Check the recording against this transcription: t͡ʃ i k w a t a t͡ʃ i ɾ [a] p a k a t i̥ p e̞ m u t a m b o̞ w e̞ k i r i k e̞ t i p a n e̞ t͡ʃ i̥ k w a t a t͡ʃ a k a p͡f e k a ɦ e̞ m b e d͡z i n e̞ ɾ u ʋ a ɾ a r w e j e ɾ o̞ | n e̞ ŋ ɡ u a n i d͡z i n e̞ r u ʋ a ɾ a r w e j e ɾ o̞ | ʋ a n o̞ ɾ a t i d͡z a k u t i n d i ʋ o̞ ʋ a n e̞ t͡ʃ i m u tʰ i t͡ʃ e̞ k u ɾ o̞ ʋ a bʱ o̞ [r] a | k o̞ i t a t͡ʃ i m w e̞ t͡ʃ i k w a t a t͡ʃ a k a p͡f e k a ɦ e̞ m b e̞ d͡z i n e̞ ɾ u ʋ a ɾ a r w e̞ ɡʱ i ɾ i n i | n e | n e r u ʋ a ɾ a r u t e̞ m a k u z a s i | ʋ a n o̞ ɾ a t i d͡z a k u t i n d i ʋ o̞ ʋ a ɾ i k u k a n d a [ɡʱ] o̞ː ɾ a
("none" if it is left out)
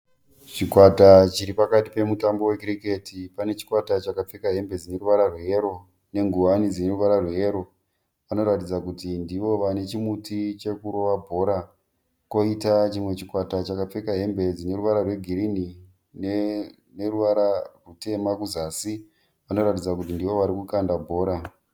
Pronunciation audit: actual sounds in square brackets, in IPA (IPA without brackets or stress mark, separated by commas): i, ɾ, bʱ